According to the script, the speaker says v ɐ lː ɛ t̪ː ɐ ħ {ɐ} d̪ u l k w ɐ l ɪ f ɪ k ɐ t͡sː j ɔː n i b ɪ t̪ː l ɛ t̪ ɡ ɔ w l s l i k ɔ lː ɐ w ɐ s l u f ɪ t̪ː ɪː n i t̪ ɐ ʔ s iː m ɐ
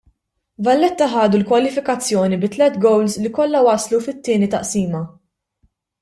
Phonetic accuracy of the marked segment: incorrect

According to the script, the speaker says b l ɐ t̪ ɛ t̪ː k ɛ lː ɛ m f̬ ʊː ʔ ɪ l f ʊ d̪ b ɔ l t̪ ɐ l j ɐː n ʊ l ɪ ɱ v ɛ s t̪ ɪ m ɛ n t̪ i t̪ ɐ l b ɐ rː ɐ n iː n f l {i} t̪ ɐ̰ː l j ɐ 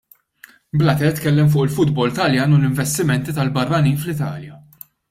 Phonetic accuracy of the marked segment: incorrect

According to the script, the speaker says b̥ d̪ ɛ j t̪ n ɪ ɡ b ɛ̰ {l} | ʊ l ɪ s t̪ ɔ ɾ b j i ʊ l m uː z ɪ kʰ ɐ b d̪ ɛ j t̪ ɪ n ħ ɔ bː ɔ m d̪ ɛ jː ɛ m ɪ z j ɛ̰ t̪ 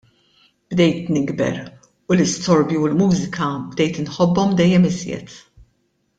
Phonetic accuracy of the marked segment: incorrect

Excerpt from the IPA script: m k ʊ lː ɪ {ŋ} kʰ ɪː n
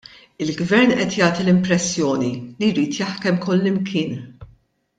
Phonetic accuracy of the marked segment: incorrect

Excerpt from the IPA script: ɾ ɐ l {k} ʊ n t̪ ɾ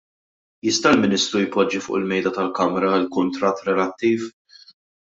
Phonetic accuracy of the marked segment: correct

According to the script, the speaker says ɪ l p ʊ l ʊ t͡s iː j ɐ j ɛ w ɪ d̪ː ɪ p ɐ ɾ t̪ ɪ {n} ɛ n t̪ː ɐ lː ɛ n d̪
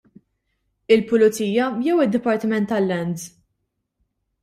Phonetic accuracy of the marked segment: incorrect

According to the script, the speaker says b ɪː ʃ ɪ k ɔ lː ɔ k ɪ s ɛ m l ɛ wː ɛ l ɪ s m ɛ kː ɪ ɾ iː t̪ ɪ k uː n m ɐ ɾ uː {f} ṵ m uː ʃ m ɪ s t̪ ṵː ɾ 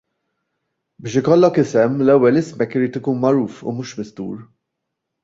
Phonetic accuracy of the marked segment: correct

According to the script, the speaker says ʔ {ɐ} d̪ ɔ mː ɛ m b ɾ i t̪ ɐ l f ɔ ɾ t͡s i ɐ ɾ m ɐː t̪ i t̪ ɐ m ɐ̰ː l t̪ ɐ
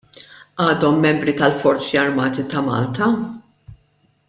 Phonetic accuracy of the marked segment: incorrect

